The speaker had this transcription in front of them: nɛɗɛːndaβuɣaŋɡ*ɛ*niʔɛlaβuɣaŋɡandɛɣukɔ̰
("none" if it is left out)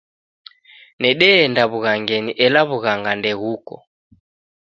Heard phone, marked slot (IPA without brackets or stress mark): ɛ